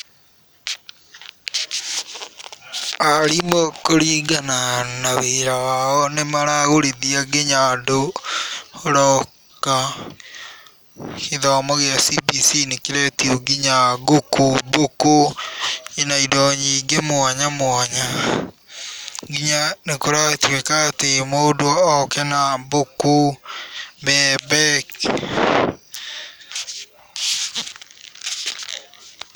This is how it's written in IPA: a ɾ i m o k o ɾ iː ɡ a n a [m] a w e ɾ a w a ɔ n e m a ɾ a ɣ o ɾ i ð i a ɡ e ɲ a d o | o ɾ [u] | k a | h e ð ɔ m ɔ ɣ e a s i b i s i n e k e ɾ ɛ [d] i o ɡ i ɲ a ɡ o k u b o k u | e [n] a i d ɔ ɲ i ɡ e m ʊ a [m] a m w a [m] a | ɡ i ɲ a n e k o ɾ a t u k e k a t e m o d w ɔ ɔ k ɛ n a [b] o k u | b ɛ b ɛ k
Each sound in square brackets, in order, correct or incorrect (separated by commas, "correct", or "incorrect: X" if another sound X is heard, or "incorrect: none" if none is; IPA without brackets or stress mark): incorrect: n, incorrect: ɔ, incorrect: t, correct, incorrect: ɲ, incorrect: ɲ, correct